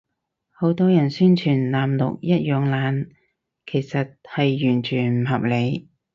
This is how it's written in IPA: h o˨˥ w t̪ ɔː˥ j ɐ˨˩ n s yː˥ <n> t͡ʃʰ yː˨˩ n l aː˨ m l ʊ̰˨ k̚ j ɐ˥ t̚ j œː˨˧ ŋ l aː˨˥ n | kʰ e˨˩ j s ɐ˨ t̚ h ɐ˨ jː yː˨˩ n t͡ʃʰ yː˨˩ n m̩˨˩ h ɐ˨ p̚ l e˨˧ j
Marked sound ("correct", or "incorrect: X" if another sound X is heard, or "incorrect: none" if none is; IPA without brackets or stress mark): correct